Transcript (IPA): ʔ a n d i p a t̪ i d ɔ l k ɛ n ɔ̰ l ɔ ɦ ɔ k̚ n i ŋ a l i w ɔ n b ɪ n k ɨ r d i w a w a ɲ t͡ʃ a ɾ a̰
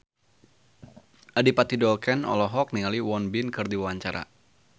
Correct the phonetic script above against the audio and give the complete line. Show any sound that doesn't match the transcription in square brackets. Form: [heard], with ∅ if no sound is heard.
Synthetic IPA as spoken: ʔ a [∅] d i p a t̪ i d ɔ l k ɛ n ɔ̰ l ɔ ɦ ɔ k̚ n i ŋ a l i w ɔ n b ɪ n k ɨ r d i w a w a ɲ t͡ʃ a ɾ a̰